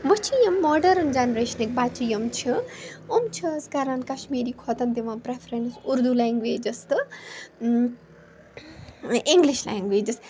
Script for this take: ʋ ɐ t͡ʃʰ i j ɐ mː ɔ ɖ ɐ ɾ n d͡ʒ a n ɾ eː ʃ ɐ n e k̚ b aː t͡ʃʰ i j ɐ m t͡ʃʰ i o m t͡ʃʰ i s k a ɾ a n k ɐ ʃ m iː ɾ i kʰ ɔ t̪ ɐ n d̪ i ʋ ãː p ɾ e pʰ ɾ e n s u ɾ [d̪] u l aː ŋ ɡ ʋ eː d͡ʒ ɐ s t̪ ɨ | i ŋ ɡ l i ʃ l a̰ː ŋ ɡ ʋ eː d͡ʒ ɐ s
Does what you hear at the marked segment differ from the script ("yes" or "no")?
no